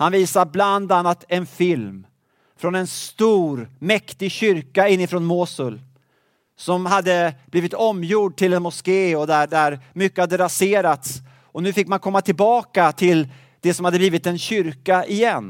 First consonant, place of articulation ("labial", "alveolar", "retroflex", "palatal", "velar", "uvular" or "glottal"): glottal